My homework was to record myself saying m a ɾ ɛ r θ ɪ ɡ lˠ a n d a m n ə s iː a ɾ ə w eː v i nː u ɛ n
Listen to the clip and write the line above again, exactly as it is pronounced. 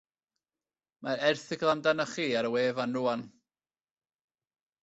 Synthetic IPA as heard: m a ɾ ɛ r θ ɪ ɡ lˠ a n d a n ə χ iː a ɾ ə w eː v a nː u a n